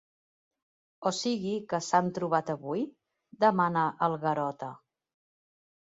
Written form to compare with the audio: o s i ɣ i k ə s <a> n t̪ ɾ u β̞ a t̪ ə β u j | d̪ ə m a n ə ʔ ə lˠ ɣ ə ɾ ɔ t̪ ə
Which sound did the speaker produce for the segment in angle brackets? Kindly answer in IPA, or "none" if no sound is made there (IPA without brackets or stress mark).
a